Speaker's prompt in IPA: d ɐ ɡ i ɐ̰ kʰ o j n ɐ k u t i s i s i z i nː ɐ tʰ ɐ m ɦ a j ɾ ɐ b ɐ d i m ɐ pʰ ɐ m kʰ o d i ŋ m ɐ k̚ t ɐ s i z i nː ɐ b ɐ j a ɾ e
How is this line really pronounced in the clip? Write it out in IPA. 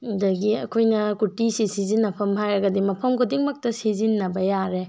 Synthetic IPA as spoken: d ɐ ɡ i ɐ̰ kʰ o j n ɐ k u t i s i s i z i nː ɐ pʰ ɐ m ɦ a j ɾ ɐ ɡ ɐ d i m ɐ pʰ ɐ m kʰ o d i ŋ m ɐ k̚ t ɐ s i z i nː ɐ b ɐ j a ɾ e